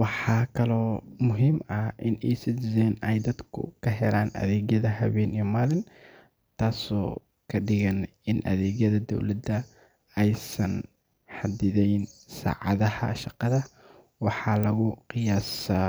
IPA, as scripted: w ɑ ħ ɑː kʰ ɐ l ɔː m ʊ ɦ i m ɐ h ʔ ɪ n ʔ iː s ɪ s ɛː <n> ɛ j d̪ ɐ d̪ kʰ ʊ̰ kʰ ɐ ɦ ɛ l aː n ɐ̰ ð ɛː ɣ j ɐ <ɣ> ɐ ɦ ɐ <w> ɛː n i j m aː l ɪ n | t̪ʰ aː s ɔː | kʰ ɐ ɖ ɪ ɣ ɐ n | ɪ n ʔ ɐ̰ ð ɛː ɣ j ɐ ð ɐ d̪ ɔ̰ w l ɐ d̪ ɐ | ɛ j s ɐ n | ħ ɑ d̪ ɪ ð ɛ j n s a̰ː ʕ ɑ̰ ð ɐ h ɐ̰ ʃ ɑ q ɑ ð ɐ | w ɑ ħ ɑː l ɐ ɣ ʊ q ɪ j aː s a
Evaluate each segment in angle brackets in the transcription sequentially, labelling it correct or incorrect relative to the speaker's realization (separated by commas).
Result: correct, incorrect, incorrect